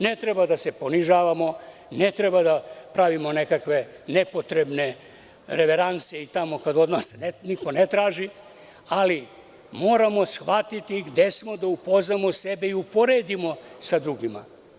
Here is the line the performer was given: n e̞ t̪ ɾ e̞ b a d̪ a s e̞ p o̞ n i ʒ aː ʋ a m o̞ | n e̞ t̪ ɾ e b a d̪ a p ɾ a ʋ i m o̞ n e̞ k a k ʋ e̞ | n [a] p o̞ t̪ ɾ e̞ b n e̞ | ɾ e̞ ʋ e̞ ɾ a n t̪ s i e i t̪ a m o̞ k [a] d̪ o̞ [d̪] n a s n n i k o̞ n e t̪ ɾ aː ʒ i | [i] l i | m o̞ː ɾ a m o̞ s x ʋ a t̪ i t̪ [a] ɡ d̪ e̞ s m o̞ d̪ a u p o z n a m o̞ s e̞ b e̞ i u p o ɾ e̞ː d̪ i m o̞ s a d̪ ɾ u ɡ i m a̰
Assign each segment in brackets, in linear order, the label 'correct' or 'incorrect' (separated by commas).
incorrect, correct, correct, incorrect, incorrect